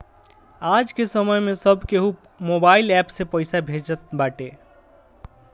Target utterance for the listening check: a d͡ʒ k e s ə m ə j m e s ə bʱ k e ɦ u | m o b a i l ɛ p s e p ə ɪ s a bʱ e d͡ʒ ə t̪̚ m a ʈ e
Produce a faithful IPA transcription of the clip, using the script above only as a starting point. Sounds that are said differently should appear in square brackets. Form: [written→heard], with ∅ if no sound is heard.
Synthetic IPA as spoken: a d͡ʒ k e s ə m ə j m e s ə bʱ k e ɦ u | m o b a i l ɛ p s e p ə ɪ s a bʱ e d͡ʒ ə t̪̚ [m→b] a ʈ e